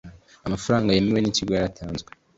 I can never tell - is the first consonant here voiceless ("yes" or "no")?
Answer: no